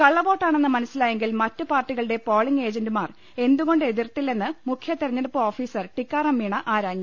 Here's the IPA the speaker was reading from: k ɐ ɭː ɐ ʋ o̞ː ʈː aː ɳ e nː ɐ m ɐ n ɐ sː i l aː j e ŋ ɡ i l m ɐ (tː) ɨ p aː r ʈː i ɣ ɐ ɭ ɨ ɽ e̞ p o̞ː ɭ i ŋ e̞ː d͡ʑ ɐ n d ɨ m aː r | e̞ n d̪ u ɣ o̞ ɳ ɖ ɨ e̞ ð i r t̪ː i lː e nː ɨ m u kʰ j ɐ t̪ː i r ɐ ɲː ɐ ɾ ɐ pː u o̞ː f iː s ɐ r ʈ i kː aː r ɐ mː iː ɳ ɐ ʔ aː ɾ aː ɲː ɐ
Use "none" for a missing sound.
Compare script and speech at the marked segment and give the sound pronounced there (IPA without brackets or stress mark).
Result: tː